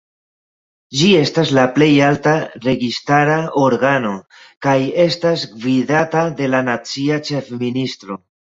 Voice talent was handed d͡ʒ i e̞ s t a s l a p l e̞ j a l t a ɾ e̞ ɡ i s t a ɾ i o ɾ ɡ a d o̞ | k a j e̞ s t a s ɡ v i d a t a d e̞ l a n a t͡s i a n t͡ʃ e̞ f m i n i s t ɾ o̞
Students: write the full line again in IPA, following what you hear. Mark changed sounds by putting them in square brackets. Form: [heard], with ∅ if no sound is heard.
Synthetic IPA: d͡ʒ i e̞ s t a s l a p l e̞ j a l t a ɾ e̞ ɡ i s t a ɾ [a] o ɾ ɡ a [n] o̞ | k a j e̞ s t a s ɡ v i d a t a d e̞ l a n a t͡s i a [∅] t͡ʃ e̞ f m i n i s t ɾ o̞